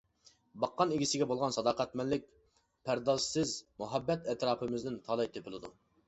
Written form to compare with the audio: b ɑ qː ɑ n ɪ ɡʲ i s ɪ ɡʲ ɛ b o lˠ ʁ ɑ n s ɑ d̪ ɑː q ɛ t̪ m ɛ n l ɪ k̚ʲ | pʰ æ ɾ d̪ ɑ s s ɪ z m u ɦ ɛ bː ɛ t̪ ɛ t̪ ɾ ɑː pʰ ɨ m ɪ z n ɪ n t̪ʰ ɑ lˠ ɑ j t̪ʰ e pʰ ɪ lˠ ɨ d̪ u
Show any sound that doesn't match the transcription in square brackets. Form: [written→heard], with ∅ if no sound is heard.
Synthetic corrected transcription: b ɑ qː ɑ n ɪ ɡʲ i s ɪ ɡʲ ɛ b o lˠ ʁ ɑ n s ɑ d̪ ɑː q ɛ t̪ m ɛ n l ɪ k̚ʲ | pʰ æ ɾ d̪ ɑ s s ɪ z m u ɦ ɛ bː ɛ t̪ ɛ t̪ ɾ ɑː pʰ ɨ m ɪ z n ɪ n t̪ʰ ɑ lˠ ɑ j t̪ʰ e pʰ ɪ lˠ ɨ d̪ u